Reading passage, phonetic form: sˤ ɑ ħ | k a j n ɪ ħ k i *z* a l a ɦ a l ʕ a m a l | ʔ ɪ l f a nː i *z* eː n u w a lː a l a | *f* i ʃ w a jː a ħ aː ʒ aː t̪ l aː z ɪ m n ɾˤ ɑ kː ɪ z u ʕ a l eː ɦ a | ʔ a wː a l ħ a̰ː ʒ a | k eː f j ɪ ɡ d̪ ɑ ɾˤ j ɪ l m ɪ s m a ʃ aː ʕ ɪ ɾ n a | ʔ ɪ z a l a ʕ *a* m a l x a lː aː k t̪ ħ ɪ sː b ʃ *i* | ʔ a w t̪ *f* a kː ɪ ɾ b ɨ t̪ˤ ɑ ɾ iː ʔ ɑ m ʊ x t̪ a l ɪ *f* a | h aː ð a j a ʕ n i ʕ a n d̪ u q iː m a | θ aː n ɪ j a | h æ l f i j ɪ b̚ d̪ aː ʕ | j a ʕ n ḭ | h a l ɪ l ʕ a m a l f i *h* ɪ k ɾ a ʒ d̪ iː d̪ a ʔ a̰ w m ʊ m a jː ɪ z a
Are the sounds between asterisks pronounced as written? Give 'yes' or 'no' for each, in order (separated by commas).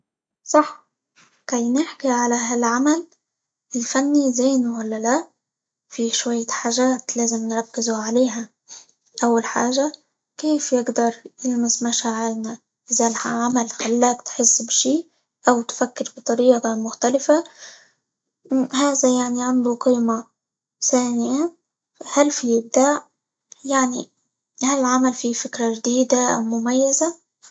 no, yes, yes, yes, no, yes, yes, no